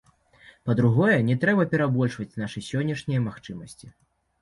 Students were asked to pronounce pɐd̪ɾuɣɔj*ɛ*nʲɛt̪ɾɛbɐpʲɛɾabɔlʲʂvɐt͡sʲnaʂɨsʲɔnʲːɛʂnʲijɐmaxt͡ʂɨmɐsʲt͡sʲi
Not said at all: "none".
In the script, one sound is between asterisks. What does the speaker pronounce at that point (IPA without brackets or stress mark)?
ɛ